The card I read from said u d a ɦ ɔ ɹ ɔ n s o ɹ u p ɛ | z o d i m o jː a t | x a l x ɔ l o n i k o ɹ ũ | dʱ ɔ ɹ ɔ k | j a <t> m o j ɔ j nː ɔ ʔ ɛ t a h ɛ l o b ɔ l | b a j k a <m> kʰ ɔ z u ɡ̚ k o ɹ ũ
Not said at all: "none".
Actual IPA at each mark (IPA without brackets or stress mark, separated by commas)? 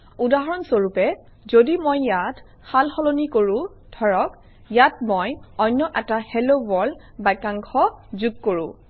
t, ŋ